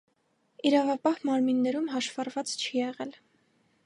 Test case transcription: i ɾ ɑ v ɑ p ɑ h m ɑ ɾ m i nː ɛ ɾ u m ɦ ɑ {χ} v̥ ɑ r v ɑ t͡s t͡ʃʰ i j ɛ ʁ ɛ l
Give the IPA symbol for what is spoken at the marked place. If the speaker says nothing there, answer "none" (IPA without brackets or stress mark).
ʃ